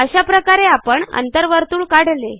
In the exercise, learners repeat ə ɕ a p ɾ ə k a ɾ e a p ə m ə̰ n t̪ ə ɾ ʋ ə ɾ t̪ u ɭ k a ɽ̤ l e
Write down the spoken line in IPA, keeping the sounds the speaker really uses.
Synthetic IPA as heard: ə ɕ a p ɾ ə k a ɾ e a p ə ɳ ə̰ n t̪ ə ɾ ʋ ə ɾ t̪ uː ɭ k a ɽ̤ l e